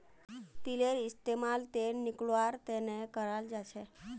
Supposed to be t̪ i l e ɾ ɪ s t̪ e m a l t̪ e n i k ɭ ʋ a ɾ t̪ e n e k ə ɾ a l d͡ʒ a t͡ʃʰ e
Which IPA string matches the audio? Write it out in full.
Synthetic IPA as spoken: t̪ i l e ɾ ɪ s t̪ e m a l t̪ e n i k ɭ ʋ a ɾ t̪ e n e k ə ɾ a l d͡ʒ a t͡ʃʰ e